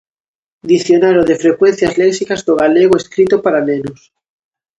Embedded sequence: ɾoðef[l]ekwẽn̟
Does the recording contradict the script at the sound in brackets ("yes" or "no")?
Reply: yes